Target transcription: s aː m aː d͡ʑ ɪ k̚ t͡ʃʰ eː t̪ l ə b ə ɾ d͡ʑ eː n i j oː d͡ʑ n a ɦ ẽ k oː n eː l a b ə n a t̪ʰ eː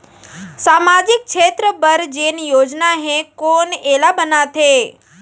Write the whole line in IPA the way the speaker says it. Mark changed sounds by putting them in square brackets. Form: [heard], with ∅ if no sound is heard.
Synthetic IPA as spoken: s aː m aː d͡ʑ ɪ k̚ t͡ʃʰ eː t̪ [ɾ] ə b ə ɾ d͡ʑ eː n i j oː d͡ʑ n a ɦ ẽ k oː n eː l a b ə n a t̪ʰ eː